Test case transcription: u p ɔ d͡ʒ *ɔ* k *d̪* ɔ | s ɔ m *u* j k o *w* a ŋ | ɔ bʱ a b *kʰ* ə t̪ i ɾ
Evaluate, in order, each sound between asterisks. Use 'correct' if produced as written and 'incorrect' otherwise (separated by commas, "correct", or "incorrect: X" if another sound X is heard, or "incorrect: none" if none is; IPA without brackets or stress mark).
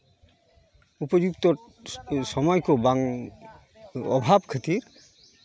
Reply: incorrect: u, incorrect: t̪, incorrect: ɔ, incorrect: b, correct